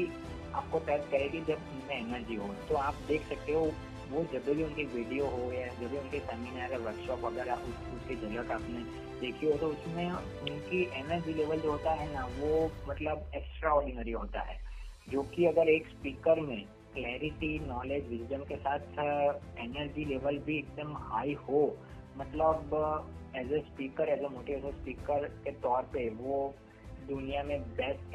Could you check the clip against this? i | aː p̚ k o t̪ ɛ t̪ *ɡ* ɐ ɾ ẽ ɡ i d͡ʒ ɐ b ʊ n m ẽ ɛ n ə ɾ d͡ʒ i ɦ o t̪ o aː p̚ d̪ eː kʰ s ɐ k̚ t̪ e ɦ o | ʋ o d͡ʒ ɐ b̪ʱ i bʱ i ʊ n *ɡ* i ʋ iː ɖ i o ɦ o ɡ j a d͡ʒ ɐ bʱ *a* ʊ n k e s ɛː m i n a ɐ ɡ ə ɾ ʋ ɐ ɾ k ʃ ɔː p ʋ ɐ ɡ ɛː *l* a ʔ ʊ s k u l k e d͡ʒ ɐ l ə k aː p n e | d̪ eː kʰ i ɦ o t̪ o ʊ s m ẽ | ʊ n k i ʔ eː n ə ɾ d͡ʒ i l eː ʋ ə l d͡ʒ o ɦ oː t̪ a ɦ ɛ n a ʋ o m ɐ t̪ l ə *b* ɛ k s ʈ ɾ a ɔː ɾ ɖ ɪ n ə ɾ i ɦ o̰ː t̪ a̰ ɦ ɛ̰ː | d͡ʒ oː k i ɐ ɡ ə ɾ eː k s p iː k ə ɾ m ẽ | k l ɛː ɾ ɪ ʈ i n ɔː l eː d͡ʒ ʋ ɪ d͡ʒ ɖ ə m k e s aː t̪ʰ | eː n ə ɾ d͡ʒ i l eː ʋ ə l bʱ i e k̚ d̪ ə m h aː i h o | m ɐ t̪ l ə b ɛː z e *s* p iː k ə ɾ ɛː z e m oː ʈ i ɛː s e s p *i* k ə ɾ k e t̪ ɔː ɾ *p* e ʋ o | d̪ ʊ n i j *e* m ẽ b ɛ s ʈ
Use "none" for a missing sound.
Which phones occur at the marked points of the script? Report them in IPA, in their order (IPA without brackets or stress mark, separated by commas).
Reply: k, k, i, ɾ, b, s, iː, p, a